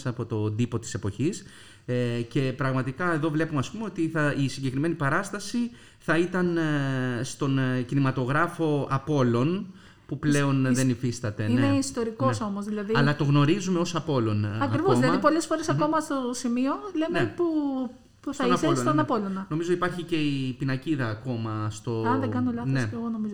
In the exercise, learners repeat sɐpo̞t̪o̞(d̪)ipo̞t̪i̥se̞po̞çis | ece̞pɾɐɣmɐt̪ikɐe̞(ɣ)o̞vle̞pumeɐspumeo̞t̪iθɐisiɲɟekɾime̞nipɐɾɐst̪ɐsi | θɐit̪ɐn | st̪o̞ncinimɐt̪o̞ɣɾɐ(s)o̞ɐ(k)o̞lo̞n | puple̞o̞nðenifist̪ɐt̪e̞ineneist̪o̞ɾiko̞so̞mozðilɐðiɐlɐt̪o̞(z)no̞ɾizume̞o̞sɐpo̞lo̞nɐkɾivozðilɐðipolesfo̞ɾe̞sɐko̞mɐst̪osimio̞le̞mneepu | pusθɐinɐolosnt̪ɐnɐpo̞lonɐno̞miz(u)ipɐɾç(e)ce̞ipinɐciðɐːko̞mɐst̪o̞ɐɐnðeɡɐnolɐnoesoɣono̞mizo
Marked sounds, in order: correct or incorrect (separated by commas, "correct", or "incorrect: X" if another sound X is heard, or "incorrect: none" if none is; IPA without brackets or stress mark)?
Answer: correct, incorrect: ð, incorrect: f, incorrect: p, incorrect: ɣ, incorrect: o, incorrect: i